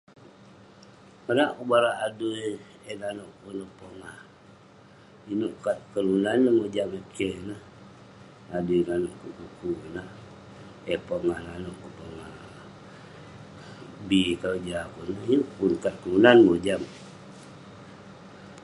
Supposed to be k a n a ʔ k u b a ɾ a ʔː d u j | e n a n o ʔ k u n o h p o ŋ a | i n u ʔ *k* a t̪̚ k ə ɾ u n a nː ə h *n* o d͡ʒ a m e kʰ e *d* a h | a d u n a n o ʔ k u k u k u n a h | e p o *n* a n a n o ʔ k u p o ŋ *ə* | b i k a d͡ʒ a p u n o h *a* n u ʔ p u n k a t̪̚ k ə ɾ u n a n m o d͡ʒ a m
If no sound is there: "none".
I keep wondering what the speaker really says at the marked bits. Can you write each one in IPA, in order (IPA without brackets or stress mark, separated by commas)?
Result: k, m, n, ŋ, a, i